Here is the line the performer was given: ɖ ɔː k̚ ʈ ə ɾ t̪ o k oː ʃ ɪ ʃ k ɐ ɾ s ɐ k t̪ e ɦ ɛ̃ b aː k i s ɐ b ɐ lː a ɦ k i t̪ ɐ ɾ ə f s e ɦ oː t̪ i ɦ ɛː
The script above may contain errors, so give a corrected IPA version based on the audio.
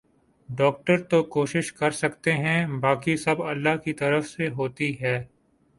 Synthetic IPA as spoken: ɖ ɔː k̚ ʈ ə ɾ t̪ o k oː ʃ ɪ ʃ k ɐ ɾ s ɐ k t̪ e ɦ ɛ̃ b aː k i s ɐ b ɐ lː a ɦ k i t̪ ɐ ɾ ə f s e ɦ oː t̪ i ɦ ɛː

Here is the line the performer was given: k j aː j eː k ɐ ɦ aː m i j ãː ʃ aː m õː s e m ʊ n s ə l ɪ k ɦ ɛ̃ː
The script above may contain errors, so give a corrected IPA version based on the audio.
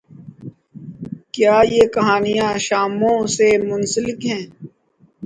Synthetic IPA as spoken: k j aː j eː k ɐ ɦ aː n i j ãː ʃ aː m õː s e m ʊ n s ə l ɪ k ɦ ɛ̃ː

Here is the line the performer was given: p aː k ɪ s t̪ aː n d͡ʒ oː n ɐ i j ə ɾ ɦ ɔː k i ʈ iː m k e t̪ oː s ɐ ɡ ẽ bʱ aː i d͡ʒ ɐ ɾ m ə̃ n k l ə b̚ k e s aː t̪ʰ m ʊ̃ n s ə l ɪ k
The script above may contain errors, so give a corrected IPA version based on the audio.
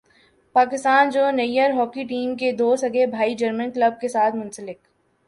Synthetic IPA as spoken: p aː k ɪ s t̪ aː n d͡ʒ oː n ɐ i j ə ɾ ɦ ɔː k i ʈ iː m k e d̪ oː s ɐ ɡ e bʱ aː i d͡ʒ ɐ ɾ m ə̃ n k l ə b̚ k e s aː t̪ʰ m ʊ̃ n s ə l ɪ k

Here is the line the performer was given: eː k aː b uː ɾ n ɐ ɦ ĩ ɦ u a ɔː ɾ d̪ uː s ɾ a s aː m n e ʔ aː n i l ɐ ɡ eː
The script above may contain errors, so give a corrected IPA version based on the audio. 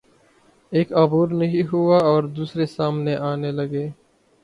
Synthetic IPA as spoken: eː k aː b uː ɾ n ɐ ɦ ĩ ɦ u a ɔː ɾ d̪ uː s ɾ e s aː m n e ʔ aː n e l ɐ ɡ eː

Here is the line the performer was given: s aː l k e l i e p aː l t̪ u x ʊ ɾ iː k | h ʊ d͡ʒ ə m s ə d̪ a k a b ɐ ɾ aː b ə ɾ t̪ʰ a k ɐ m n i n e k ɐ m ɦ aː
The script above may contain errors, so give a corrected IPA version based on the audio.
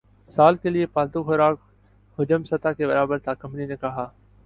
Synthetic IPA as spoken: s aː l k e l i e p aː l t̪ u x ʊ ɾ aː k | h ʊ d͡ʒ ə m s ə t̪ a k e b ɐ ɾ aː b ə ɾ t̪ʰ a k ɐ m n i n e k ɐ ɦ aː

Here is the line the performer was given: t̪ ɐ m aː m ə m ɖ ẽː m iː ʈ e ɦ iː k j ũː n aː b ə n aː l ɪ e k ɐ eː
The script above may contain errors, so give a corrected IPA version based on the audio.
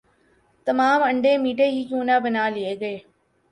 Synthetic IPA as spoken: t̪ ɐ m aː m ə ɳ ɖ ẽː m iː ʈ e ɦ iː k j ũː n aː b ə n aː l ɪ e ɡ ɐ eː

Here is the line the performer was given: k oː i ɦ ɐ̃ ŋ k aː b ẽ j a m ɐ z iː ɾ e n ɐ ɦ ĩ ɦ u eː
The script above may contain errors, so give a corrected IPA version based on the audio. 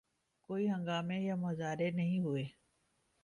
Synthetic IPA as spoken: k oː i ɦ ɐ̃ ŋ ɡ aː m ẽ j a m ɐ z aː ɾ e n ɐ ɦ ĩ ɦ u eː

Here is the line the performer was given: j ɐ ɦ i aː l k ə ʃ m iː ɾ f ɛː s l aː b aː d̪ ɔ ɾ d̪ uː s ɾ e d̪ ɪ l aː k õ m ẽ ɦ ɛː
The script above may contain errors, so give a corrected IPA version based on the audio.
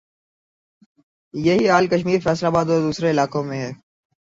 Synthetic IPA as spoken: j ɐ ɦ i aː l k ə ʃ m iː ɾ f ɛː s l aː b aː d̪ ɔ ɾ d̪ uː s ɾ e ɪ l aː k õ m ẽ ɦ ɛː

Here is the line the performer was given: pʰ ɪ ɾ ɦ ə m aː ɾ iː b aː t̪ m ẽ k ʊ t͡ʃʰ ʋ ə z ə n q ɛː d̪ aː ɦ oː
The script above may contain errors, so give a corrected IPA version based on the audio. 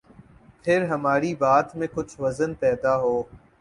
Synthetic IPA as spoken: pʰ ɪ ɾ ɦ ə m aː ɾ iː b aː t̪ m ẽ k ʊ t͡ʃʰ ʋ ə z ə n p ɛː d̪ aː ɦ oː

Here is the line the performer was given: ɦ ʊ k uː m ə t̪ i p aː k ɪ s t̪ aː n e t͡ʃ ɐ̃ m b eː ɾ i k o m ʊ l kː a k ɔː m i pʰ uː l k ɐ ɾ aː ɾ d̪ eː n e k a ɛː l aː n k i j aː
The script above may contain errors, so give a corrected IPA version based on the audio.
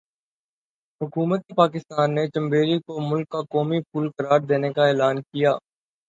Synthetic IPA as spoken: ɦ ʊ k uː m ə t̪ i p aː k ɪ s t̪ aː nː e t͡ʃ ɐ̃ m b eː ɾ i k o m ʊ l kː a k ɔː m i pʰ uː l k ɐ ɾ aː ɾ d̪ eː n e k a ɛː l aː n k i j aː

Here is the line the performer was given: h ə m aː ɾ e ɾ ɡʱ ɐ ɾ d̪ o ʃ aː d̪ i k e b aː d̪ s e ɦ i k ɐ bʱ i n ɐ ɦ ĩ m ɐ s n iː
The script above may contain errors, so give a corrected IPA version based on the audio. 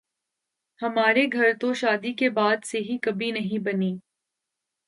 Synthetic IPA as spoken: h ɐ m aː ɾ e ɡʱ ɐ ɾ t̪ o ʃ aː d̪ i k e b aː d̪ s e ɦ i k ɐ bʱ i n ɐ ɦ ĩ b ɐ n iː

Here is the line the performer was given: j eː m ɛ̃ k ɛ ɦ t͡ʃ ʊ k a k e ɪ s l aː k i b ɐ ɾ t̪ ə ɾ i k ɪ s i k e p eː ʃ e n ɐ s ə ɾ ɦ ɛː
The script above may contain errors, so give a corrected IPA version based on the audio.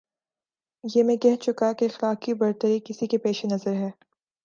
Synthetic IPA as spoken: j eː m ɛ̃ k ɛ ɦ t͡ʃ ʊ k a k e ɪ x l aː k i b ɐ ɾ t̪ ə ɾ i k ɪ s i k e p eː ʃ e n ɐ z ə ɾ ɦ ɛː

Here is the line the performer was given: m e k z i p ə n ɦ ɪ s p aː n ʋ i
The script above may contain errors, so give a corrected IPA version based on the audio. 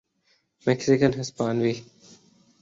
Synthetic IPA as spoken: m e k s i k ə n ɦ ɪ s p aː n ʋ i

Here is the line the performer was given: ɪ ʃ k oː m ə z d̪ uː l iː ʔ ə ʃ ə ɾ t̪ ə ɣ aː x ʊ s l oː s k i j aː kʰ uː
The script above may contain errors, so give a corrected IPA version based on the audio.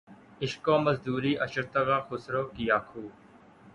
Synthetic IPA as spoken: ɪ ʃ k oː m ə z d̪ uː ɾ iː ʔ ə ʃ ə ɾ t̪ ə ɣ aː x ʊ s ɾ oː k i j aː kʰ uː

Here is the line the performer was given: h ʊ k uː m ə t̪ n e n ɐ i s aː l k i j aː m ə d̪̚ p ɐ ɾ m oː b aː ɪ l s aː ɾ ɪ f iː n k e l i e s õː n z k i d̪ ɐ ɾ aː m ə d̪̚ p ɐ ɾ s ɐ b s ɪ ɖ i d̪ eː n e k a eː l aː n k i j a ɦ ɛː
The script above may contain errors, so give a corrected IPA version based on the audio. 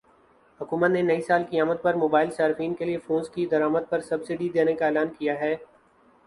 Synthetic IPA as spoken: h ʊ k uː m ə t̪ n e n ɐ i s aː l k i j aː m ə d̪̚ p ɐ ɾ m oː b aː ɪ l s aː ɾ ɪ f iː n k e l i e f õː n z k i d̪ ɐ ɾ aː m ə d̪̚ p ɐ ɾ s ɐ b s ɪ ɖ i d̪ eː n e k a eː l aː n k i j a ɦ ɛː

